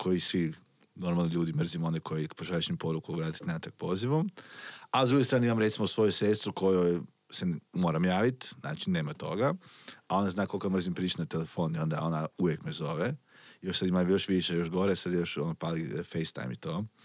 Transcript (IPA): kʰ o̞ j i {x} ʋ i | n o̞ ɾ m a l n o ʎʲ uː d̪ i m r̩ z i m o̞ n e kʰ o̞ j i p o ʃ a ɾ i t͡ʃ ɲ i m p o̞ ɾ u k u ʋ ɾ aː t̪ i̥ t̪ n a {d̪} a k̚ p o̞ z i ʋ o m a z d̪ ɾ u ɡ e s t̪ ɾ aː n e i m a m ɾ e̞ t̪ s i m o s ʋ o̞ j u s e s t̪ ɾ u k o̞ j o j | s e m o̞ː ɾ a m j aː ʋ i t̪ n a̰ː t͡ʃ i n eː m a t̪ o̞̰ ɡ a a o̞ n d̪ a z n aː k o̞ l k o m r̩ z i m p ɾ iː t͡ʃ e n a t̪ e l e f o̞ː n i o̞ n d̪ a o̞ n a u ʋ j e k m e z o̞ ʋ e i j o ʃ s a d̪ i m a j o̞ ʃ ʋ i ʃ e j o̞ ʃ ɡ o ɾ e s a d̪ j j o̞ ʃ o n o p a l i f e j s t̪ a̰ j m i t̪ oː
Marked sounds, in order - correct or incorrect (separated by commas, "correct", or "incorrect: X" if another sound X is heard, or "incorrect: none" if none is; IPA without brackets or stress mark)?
incorrect: s, incorrect: t̪